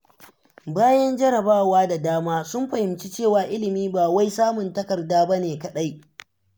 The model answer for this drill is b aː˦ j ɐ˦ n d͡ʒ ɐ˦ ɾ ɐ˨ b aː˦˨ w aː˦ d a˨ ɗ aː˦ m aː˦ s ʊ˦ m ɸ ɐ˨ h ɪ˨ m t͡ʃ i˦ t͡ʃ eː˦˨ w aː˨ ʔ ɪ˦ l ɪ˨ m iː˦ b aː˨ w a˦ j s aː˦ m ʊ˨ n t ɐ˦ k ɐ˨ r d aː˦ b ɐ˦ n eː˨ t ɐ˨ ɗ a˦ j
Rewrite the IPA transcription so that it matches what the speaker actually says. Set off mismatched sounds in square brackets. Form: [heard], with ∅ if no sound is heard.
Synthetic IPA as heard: b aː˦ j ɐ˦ n d͡ʒ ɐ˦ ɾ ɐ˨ b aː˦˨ w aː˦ d a˨ [d] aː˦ m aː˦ s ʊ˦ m ɸ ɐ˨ h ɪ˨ m t͡ʃ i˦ t͡ʃ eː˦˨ w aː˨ ʔ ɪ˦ l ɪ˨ m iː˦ b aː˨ w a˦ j s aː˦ m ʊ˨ n t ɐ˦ k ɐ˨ r d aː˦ b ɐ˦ n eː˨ [k] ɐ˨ ɗ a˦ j

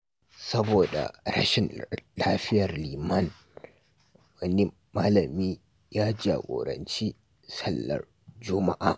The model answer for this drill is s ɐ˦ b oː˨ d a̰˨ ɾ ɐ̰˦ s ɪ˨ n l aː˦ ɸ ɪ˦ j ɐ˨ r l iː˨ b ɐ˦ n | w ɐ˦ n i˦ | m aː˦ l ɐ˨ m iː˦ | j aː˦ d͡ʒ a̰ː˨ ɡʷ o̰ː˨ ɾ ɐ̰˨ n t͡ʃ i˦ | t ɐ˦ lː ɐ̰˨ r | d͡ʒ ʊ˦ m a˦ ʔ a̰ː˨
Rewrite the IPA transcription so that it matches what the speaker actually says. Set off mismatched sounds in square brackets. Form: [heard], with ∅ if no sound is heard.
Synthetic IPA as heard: s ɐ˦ b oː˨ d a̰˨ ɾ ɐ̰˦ [ʃ] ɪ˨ n l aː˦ ɸ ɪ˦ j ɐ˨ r l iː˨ [m] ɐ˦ n | w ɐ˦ n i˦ | m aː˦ l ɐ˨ m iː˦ | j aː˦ d͡ʒ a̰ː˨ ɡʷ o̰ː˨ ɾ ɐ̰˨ n t͡ʃ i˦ | [s] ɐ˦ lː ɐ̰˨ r | d͡ʒ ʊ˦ m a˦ ʔ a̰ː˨

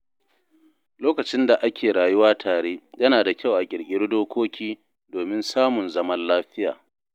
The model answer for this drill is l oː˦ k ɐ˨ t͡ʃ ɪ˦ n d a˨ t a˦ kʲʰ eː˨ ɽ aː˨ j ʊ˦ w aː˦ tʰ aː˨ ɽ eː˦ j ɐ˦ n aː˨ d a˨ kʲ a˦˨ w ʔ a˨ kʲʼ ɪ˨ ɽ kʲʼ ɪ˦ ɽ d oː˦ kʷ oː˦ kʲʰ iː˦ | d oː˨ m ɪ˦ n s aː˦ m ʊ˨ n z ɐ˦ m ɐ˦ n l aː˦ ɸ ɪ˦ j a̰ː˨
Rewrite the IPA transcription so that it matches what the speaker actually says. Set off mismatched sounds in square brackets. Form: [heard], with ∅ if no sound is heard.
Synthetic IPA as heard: l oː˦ k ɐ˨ t͡ʃ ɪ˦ n d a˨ [ʔ] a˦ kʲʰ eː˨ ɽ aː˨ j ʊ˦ w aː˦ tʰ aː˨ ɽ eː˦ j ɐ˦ n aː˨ d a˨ kʲ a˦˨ w ʔ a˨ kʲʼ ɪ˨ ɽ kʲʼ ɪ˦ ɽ d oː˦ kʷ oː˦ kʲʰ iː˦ | d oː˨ m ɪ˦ n s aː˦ m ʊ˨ n z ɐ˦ m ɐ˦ n l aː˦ ɸ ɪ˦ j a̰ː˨

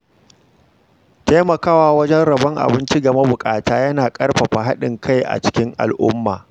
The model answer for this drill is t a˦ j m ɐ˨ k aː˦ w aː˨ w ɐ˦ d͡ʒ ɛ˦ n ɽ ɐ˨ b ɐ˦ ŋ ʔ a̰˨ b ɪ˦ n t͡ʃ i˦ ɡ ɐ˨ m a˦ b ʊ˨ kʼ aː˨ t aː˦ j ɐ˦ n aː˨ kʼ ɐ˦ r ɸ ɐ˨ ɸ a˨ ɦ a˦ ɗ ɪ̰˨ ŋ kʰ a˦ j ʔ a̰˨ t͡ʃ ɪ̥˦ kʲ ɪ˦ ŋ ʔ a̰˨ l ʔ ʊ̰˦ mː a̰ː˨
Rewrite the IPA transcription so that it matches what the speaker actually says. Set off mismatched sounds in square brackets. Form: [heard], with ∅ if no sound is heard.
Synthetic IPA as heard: t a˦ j m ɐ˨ k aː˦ w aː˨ w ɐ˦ d͡ʒ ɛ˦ n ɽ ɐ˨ b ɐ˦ ŋ ʔ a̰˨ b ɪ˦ n t͡ʃ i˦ ɡ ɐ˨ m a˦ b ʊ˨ kʼ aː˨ t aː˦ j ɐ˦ n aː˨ kʼ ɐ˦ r ɸ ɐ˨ ɸ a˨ ɦ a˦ ɗ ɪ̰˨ ŋ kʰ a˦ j ʔ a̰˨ t͡ʃ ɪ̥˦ kʲ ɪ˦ ŋ ʔ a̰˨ l ʔ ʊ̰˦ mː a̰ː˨

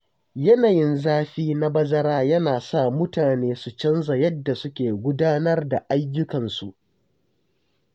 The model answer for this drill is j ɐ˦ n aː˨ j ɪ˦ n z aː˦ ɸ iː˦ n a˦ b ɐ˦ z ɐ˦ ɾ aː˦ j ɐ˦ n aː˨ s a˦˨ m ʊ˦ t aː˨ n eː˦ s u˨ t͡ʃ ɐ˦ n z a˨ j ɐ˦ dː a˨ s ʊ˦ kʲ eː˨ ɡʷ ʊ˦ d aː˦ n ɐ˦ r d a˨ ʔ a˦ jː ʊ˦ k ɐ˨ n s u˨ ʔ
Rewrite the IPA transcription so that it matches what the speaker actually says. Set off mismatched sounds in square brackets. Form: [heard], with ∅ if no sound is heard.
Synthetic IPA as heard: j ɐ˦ n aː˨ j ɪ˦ n z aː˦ ɸ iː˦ n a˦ b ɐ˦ z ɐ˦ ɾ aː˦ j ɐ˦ n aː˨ s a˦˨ m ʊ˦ t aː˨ n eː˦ s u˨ t͡ʃ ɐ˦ n z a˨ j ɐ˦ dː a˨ s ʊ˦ kʲ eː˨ ɡʷ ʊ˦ d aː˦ n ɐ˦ r d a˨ ʔ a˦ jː ʊ˦ k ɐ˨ n s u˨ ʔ

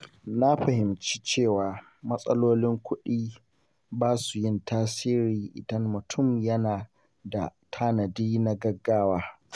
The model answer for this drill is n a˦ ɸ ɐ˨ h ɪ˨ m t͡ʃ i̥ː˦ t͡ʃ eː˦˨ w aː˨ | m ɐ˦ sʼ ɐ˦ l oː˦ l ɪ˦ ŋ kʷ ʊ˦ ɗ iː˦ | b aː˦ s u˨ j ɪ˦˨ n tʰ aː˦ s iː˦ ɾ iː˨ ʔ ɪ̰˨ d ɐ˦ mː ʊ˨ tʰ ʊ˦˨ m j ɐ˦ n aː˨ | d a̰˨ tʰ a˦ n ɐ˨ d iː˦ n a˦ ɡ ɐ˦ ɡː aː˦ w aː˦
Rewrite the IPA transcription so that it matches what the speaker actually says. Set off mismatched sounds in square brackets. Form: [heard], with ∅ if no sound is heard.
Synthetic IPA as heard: n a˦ ɸ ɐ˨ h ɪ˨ m t͡ʃ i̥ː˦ t͡ʃ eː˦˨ w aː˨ | m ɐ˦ sʼ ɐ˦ l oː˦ l ɪ˦ ŋ kʷ ʊ˦ ɗ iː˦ | b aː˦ s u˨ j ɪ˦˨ n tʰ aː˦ s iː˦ ɾ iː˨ ʔ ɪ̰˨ d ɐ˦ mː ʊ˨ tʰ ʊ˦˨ m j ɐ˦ n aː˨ | d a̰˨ tʰ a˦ n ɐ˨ d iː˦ n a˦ ɡ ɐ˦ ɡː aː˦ w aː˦

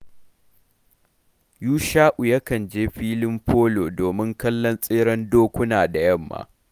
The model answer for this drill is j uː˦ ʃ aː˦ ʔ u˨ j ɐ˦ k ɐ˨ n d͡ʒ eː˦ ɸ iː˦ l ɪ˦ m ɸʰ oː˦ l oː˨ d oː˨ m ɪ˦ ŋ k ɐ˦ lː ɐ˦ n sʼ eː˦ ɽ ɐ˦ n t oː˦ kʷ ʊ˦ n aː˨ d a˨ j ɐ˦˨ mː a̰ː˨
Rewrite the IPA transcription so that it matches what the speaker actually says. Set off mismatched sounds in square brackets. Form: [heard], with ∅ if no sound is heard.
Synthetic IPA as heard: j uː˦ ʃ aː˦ ʔ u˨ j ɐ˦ k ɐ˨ n d͡ʒ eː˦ ɸ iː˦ l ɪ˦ m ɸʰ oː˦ l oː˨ d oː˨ m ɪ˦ ŋ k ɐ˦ lː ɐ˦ n sʼ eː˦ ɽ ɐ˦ n [d] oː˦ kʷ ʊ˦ n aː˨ d a˨ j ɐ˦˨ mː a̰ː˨

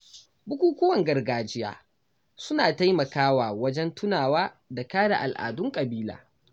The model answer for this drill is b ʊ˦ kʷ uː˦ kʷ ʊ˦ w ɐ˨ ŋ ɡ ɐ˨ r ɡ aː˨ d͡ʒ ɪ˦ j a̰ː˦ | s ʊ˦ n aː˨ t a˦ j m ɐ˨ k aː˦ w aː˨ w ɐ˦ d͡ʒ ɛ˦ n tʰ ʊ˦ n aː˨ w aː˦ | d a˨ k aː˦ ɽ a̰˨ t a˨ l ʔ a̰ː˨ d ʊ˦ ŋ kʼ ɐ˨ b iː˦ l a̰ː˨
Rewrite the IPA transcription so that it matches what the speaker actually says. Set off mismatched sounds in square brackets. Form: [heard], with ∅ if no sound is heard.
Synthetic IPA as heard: b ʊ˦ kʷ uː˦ kʷ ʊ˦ w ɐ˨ ŋ ɡ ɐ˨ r ɡ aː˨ d͡ʒ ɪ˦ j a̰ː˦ | s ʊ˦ n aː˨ t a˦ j m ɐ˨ k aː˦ w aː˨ w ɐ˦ d͡ʒ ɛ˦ n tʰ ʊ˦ n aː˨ w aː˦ | d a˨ k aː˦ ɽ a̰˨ [ʔ] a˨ l ʔ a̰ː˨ d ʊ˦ ŋ kʼ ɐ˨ b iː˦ l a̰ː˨

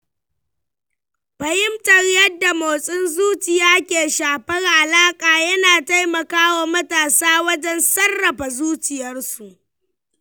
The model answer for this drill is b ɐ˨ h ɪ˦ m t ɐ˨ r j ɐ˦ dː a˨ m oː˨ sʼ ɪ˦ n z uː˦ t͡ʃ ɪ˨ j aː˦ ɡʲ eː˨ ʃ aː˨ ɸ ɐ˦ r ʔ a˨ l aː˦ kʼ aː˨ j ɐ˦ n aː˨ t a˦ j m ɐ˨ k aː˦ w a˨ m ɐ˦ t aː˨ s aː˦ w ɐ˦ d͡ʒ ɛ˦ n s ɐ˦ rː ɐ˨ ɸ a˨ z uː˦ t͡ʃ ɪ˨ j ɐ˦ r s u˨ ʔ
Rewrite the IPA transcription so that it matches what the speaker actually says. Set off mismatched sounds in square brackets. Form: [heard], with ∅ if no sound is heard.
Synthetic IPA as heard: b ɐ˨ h ɪ˦ m t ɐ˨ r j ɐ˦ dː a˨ m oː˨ sʼ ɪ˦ n z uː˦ t͡ʃ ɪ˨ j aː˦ [kʲ] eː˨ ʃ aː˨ ɸ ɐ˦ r ʔ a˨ l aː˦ kʼ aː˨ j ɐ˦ n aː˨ t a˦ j m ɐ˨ k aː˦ w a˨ m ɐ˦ t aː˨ s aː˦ w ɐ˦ d͡ʒ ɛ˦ n s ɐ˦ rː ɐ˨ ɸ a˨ z uː˦ t͡ʃ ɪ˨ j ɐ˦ r s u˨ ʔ

